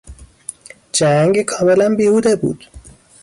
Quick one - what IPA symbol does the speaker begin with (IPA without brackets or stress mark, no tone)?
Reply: d͡ʒ